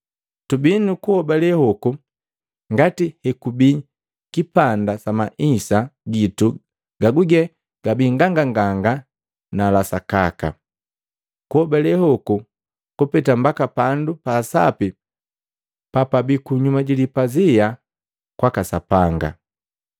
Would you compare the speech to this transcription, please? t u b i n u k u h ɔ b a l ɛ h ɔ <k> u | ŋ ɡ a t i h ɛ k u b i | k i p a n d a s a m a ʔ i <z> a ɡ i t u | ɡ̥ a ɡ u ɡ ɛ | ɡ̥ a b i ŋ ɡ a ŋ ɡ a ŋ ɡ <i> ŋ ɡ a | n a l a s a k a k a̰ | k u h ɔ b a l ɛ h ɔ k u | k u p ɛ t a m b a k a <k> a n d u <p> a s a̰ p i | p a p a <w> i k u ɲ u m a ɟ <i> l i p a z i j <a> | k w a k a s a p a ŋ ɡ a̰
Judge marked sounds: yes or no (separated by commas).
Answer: yes, no, no, no, yes, no, yes, yes